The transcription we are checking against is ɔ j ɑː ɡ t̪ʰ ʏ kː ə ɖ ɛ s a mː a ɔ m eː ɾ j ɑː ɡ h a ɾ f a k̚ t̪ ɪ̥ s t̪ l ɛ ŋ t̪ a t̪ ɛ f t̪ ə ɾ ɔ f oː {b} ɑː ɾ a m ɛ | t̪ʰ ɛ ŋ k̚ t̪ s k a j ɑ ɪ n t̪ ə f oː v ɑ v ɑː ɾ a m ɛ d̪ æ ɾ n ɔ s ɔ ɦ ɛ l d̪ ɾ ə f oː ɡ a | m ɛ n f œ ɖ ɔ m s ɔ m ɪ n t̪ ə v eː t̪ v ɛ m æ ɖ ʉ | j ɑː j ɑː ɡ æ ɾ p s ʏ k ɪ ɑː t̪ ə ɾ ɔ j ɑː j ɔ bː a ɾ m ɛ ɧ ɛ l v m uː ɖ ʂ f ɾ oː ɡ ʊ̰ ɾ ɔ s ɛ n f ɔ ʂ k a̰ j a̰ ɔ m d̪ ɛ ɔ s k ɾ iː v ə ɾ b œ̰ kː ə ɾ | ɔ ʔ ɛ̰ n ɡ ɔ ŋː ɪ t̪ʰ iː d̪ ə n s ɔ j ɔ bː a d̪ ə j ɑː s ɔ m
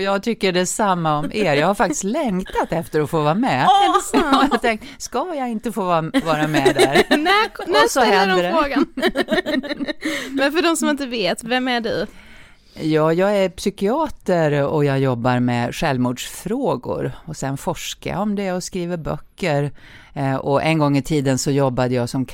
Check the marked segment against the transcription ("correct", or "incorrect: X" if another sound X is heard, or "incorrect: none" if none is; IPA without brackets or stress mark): incorrect: v